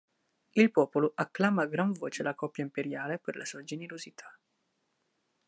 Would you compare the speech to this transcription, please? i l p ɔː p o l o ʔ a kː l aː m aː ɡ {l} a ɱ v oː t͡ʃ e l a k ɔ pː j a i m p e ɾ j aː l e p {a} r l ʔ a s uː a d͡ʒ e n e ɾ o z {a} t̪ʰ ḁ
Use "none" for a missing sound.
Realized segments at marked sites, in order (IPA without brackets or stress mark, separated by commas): ɾ, e, i